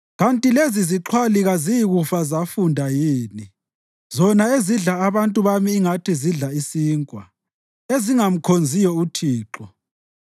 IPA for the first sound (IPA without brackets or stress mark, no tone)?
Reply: ɣ